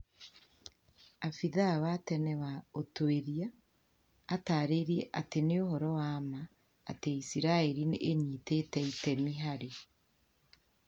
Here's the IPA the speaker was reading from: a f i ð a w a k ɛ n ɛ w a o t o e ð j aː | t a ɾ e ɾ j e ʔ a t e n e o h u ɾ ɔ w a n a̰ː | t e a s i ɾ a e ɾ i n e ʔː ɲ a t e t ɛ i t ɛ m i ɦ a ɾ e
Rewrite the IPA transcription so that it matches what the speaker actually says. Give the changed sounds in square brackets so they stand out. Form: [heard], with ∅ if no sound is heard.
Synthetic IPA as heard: a f i ð a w a [t] ɛ n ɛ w a o t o e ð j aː | t a ɾ e ɾ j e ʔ a t e n e o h [ɔ] ɾ ɔ w a [m] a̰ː | t e [i] s i ɾ a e ɾ i n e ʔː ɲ [i] t e t ɛ i t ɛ m i ɦ a ɾ e

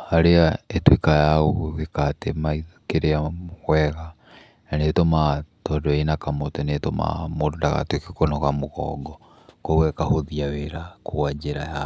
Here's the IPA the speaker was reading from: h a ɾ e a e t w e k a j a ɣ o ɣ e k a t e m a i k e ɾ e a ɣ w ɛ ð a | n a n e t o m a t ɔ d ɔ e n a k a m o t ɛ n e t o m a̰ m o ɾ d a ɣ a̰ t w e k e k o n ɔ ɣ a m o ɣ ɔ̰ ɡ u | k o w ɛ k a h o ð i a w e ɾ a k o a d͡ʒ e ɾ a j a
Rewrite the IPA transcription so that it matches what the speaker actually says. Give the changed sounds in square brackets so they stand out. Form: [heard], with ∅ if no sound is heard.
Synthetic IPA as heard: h a ɾ e a e t w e k a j a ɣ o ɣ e k a t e m a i k e ɾ e a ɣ w ɛ [ɣ] a | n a n e t o m a t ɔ d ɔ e n a k a m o t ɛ n e t o m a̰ m o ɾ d a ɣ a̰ t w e k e k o n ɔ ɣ a m o ɣ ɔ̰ ɡ [ɔ] | k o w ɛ k a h o ð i a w e ɾ a k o a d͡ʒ e ɾ a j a

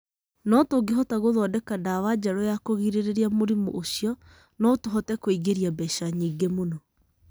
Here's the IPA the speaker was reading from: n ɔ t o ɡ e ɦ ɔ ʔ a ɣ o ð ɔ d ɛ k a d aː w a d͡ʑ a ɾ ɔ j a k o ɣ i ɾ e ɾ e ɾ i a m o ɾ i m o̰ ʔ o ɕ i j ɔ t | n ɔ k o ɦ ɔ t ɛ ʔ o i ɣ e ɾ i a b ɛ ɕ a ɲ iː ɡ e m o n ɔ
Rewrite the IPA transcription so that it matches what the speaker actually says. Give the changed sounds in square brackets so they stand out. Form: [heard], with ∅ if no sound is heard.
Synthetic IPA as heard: n ɔ t o ɡ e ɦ ɔ [t] a ɣ o ð ɔ d ɛ k a d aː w a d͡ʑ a ɾ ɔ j a k o ɣ i ɾ e ɾ e ɾ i a m o ɾ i m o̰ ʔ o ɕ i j ɔ [∅] | n ɔ [t] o ɦ ɔ t ɛ [k] o i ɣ e ɾ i a b ɛ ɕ a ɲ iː ɡ e m o n ɔ

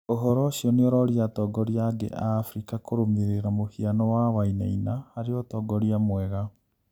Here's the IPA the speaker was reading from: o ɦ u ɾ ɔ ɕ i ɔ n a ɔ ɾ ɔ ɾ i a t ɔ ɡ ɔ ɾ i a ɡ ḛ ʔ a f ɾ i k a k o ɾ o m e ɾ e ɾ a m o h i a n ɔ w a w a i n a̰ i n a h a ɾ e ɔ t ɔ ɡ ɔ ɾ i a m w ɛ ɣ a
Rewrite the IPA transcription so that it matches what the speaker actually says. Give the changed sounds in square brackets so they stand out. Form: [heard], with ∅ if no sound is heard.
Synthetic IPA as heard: o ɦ [ɔ] ɾ ɔ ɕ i ɔ n [e] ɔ ɾ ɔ ɾ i a t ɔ ɡ ɔ ɾ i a ɡ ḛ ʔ a f ɾ i k a k o ɾ o m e ɾ e ɾ a m o h i a n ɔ w a w a i n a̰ i n a h a ɾ e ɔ t ɔ ɡ ɔ ɾ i a m w ɛ ɣ a

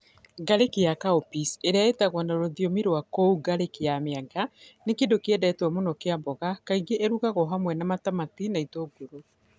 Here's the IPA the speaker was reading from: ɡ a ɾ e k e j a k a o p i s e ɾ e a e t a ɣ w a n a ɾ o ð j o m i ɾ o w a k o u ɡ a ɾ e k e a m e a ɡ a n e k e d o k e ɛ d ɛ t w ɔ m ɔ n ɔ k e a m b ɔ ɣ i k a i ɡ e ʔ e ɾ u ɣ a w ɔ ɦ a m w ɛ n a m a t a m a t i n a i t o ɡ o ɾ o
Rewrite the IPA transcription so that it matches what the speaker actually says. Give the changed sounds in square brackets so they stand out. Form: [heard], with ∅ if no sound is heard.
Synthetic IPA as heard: ɡ a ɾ e k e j a k a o p i s e ɾ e a e t a ɣ w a n a ɾ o ð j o m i ɾ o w a k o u ɡ a ɾ e k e a m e a ɡ a n e k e d o k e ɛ d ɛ t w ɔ m [o] n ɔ k e a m b ɔ ɣ [a] k a i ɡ e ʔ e ɾ u ɣ a [ɣ] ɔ ɦ a m w ɛ n a m a t a m a t i n a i t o ɡ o ɾ o

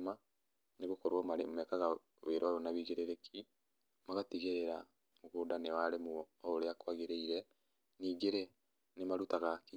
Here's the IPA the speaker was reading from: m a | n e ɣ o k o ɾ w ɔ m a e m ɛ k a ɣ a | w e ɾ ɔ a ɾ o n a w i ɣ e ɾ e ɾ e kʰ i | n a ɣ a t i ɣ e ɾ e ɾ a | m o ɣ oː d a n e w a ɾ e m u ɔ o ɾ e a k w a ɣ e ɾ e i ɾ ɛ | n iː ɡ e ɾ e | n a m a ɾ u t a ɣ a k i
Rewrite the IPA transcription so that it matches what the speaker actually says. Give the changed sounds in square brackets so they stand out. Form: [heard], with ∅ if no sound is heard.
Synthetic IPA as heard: m a | n e ɣ o k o ɾ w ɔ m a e m ɛ k a ɣ a | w e ɾ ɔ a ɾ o n a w i ɣ e ɾ e ɾ e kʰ i | [m] a ɣ a t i ɣ e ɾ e ɾ a | m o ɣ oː d a n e w a ɾ e m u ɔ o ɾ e a k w a ɣ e ɾ e i ɾ ɛ | n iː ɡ e ɾ e | n [e] m a ɾ u t a ɣ a k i

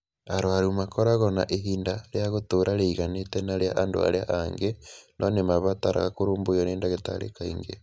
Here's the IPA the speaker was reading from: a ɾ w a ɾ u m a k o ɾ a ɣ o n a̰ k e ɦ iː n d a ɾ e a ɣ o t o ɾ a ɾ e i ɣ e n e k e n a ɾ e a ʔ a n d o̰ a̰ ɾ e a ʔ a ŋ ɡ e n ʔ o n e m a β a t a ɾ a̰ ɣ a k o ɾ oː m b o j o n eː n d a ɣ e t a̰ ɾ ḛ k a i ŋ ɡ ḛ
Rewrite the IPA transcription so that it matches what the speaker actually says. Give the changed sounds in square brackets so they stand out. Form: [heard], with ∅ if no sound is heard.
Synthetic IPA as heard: a ɾ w a ɾ u m a k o ɾ a ɣ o n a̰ [ʔ] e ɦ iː n d a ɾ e a ɣ o t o ɾ a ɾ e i ɣ [a] n e [t] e n a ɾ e a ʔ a n d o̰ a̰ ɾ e a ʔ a ŋ ɡ e n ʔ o n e m a β a t a ɾ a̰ ɣ a k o ɾ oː m b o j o n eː n d a ɣ e t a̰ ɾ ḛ k a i ŋ ɡ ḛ

